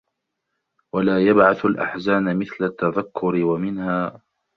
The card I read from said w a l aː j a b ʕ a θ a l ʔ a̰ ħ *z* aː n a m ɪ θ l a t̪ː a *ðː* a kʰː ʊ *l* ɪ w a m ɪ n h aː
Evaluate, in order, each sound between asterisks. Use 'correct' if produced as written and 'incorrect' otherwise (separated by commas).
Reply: correct, incorrect, incorrect